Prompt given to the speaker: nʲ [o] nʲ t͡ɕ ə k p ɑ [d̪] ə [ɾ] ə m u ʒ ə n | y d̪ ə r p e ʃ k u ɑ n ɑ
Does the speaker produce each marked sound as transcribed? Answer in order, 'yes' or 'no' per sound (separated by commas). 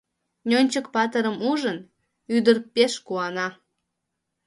yes, no, yes